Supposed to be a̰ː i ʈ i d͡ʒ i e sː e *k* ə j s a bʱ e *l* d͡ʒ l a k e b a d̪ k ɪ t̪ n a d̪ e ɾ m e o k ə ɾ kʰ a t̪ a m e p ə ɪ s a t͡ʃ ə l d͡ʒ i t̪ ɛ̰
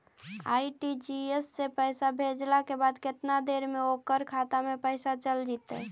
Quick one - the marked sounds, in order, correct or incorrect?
incorrect, incorrect

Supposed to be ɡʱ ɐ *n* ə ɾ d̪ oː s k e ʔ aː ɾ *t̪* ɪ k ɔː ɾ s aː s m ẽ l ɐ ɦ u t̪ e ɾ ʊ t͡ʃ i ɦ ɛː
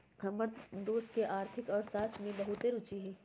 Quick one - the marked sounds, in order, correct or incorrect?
incorrect, incorrect

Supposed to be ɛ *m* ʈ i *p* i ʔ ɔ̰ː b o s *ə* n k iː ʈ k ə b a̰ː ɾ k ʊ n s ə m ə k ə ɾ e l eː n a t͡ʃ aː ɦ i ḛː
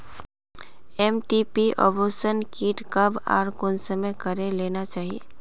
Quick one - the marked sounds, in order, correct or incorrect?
correct, correct, correct

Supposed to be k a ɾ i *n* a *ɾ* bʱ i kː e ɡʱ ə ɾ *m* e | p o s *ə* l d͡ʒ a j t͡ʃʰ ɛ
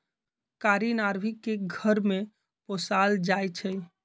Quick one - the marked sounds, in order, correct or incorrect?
correct, correct, correct, incorrect

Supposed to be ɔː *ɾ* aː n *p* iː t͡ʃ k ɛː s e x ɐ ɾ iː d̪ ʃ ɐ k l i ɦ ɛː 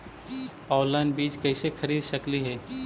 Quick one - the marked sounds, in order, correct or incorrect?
incorrect, incorrect

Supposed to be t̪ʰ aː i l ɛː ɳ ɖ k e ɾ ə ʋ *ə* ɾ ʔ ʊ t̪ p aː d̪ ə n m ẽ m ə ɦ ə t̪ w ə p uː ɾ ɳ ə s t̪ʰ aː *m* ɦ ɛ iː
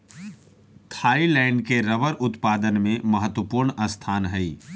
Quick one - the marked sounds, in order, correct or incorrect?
correct, incorrect

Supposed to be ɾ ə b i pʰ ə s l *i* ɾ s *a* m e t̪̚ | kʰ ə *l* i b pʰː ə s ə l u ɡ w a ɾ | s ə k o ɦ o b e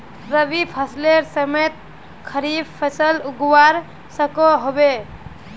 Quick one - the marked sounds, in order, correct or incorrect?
incorrect, incorrect, incorrect

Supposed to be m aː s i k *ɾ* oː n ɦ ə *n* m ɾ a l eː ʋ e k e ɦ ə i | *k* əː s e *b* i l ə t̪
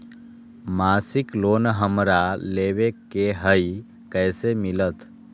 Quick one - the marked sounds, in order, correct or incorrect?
incorrect, incorrect, correct, incorrect

